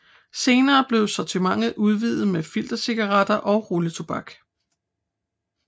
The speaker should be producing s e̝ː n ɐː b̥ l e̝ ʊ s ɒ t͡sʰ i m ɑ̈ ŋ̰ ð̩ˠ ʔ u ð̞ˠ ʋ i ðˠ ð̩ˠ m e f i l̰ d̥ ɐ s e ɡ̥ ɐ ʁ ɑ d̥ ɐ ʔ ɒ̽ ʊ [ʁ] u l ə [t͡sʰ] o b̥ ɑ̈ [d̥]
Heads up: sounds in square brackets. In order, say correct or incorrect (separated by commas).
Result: correct, correct, incorrect